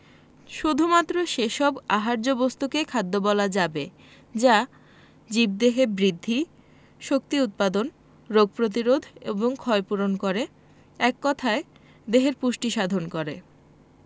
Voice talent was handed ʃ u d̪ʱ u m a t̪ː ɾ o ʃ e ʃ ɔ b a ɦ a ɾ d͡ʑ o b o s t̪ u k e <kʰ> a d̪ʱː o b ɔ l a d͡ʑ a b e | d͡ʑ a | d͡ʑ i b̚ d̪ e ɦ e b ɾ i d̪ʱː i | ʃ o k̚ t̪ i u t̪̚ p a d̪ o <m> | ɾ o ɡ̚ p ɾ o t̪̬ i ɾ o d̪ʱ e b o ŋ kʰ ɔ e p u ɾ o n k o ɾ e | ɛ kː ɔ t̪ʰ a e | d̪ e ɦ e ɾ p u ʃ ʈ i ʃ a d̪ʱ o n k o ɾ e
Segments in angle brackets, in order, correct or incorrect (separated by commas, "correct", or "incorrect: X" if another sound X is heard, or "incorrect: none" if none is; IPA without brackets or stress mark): correct, incorrect: n